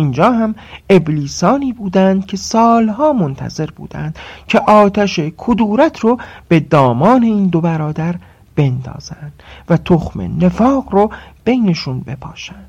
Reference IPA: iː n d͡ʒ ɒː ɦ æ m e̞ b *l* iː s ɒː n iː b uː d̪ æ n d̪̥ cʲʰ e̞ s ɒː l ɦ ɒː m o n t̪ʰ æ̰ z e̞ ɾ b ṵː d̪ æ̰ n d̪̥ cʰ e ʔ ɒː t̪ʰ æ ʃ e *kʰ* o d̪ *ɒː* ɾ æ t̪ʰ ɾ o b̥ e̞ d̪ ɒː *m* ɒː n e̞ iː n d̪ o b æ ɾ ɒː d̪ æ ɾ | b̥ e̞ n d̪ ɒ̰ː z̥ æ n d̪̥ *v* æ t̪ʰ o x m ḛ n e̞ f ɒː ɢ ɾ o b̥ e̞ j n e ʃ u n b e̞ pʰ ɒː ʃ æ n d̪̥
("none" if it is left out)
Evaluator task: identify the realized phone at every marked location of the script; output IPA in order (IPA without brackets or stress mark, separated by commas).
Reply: l, kʰ, uː, m, v